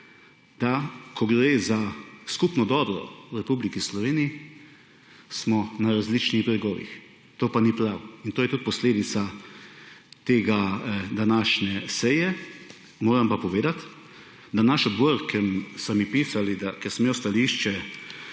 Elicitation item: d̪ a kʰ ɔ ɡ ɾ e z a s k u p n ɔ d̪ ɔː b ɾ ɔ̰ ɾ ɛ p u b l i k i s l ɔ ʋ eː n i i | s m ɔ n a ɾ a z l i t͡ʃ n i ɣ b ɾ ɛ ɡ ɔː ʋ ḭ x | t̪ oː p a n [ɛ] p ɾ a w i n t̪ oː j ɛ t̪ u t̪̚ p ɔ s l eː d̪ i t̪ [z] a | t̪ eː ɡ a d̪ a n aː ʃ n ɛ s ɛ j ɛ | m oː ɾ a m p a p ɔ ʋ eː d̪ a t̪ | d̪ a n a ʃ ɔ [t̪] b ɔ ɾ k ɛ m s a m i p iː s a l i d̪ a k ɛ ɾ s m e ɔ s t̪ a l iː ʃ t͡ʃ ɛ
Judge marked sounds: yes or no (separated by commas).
no, no, no